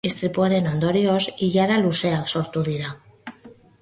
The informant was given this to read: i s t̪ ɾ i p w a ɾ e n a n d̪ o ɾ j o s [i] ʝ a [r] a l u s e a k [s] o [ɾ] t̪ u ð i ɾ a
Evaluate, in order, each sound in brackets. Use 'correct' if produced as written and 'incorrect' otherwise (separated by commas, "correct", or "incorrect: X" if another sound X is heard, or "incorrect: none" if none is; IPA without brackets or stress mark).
correct, incorrect: ɾ, correct, correct